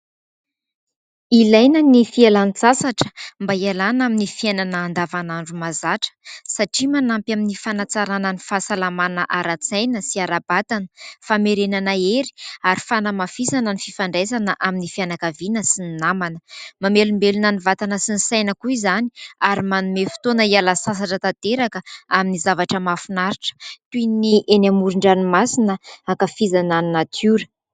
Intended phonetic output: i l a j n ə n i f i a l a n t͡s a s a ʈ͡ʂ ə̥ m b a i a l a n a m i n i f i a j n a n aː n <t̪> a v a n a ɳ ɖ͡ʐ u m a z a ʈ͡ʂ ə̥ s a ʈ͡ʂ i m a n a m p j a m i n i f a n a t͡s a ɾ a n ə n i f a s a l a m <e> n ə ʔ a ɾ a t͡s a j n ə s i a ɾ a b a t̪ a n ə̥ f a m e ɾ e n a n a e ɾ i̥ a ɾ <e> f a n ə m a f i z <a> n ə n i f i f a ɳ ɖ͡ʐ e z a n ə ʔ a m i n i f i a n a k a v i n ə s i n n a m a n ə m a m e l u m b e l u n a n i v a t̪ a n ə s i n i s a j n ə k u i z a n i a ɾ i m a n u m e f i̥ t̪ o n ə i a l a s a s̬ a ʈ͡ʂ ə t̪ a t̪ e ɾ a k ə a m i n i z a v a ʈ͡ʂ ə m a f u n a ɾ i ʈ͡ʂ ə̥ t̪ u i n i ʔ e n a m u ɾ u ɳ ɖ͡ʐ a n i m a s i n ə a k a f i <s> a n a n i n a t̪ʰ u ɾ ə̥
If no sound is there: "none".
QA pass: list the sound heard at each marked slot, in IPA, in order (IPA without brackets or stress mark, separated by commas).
d̪, a, i, a, z